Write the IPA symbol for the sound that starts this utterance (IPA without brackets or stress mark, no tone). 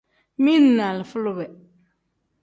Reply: m